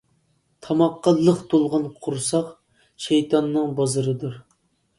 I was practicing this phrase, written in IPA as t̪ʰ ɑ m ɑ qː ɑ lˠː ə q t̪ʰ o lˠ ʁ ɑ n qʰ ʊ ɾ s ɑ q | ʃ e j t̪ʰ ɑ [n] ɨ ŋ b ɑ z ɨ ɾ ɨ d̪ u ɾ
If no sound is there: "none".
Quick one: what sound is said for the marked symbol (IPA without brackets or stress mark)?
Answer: nː